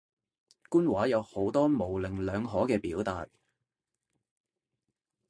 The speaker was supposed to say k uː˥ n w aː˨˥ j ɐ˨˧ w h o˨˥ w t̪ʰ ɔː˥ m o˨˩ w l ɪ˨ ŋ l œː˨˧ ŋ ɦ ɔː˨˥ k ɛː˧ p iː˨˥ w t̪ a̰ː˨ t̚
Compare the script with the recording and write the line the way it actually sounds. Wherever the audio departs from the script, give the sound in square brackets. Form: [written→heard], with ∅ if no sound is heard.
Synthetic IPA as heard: k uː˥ n w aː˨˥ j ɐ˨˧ w h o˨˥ w [t̪ʰ→t̪] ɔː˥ m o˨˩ w l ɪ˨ ŋ l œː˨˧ ŋ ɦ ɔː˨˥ k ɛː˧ p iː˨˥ w t̪ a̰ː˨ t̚